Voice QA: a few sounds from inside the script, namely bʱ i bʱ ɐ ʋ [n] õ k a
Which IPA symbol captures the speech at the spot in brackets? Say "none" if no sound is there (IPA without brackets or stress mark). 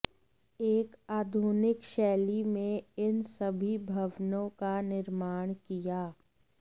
n